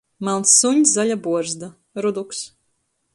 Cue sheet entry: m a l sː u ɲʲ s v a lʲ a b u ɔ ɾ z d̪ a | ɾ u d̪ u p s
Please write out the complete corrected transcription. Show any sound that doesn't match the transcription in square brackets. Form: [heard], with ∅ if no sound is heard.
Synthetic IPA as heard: m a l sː u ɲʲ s [z] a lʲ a b u ɔ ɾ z d̪ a | ɾ u d̪ u [k] s